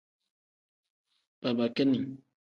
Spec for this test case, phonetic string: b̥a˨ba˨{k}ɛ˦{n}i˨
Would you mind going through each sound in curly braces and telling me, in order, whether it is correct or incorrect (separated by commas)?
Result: correct, correct